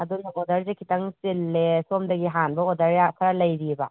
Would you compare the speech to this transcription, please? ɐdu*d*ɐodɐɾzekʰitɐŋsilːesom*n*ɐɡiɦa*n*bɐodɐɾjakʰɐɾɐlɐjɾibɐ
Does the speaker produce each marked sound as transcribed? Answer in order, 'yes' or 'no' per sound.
no, no, yes

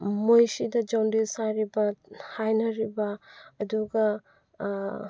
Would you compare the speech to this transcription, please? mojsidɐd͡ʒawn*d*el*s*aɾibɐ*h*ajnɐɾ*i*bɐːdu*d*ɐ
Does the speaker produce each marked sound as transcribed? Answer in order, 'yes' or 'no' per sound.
yes, yes, yes, yes, no

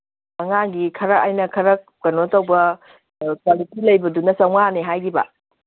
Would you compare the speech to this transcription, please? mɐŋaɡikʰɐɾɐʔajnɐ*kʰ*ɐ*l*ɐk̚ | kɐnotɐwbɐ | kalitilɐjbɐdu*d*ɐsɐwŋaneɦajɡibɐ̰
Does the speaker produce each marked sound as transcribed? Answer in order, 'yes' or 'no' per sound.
yes, no, no

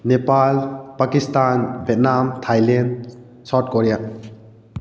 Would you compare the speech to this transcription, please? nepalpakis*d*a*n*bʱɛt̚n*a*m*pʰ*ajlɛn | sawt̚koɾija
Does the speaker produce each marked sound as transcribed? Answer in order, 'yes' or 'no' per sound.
no, yes, yes, no

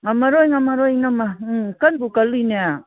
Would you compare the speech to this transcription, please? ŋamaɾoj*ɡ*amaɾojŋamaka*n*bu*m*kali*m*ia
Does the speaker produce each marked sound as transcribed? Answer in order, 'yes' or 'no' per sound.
no, yes, no, no

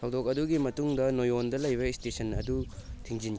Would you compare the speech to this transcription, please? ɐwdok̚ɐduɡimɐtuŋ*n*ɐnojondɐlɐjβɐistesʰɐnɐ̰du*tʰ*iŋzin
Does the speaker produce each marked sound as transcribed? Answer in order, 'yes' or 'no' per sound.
no, yes

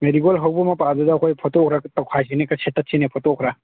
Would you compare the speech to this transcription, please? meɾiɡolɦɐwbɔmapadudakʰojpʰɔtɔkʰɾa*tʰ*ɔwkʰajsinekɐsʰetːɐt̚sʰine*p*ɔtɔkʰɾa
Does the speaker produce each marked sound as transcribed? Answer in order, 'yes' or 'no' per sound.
no, no

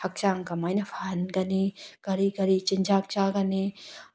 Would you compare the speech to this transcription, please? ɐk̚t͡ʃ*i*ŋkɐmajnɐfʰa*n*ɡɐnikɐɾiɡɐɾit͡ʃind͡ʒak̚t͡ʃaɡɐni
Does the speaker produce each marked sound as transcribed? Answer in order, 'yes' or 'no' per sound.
no, yes

